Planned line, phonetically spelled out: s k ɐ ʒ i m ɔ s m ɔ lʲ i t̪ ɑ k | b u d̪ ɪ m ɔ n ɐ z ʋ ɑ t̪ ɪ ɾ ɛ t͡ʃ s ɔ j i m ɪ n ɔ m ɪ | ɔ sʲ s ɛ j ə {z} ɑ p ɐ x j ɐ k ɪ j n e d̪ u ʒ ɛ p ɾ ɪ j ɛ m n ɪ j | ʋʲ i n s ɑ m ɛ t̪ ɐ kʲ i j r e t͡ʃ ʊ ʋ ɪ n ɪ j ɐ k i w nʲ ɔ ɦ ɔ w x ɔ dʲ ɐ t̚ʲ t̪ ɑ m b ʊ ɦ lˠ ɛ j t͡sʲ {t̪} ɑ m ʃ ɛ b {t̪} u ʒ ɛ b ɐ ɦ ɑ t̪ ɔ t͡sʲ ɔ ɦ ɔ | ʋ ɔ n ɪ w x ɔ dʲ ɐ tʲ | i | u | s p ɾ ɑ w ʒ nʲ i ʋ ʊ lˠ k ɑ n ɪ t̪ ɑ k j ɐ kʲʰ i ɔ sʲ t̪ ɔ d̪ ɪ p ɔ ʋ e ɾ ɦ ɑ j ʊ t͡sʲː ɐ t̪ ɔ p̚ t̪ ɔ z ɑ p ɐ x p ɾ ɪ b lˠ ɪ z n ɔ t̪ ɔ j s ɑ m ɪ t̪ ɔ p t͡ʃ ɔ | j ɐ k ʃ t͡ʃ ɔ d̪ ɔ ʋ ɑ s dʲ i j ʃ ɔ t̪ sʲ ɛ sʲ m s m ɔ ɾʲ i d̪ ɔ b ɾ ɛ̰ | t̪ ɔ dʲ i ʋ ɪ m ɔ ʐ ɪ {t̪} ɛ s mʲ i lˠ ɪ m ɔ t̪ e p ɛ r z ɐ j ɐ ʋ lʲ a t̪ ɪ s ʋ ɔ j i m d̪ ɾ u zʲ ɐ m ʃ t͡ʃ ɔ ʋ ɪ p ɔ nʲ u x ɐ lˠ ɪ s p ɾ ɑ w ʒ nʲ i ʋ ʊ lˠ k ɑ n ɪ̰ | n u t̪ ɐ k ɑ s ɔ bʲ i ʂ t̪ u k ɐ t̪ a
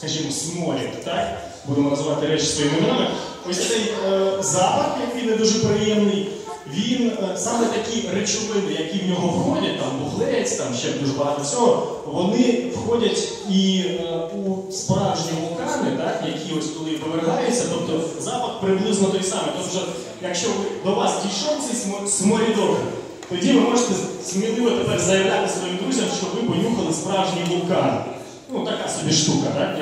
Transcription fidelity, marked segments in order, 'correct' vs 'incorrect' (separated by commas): correct, correct, incorrect, correct